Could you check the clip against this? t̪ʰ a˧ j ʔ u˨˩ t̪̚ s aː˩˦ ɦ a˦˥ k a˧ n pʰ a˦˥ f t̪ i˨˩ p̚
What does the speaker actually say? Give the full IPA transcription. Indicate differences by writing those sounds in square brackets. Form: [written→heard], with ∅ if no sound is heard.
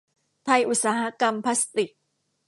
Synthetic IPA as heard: t̪ʰ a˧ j ʔ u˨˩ t̪̚ s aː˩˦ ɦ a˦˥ k a˧ [n→m] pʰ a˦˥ [f→s] t̪ i˨˩ [p̚→k̚]